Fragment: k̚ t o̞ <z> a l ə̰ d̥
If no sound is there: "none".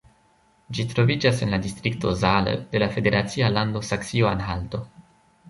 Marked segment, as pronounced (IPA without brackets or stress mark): z